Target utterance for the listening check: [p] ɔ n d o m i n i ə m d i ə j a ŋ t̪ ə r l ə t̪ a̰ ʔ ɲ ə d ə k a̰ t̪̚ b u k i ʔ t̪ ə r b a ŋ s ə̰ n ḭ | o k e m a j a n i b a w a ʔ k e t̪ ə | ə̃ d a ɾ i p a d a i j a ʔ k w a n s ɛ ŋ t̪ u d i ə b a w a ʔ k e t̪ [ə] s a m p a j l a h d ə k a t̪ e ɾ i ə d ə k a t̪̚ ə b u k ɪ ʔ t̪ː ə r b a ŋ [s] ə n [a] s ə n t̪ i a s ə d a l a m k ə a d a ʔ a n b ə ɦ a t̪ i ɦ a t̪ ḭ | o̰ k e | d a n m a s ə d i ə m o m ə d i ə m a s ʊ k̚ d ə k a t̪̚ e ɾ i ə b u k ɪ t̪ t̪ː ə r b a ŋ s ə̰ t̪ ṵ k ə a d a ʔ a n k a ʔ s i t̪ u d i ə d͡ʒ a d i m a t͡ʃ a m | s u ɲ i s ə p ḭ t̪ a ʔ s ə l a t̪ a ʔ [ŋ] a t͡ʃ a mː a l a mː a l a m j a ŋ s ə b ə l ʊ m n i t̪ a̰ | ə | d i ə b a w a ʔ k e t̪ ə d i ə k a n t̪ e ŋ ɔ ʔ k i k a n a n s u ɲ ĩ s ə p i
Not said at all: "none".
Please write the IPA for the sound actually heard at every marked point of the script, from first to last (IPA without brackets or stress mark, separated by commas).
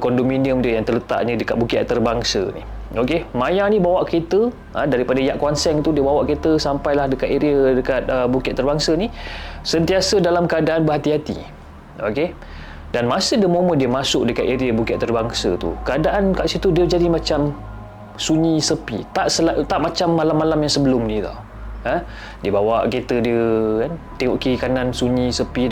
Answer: k, ə, s, i, m